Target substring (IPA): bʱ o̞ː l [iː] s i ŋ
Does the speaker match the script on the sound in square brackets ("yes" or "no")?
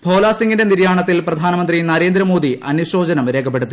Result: no